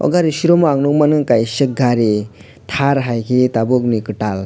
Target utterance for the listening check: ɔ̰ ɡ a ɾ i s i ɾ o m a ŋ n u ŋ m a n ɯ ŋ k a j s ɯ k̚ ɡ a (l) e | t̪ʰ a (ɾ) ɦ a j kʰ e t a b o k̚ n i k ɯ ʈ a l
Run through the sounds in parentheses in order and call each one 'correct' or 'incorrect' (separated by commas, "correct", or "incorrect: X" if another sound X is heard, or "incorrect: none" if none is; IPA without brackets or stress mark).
incorrect: ɾ, correct